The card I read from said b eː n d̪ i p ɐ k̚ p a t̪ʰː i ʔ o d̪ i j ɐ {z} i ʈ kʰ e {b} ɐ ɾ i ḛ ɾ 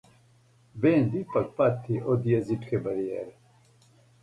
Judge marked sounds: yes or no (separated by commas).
yes, yes